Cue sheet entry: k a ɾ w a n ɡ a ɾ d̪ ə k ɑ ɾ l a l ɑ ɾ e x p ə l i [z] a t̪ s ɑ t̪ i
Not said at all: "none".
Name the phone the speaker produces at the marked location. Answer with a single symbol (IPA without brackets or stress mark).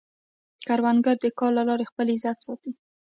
z